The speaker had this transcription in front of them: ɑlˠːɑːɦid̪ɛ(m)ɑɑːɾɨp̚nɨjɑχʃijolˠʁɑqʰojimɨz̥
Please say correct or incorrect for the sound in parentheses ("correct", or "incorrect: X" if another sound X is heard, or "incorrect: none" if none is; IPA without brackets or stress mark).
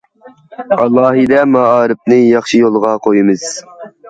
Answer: correct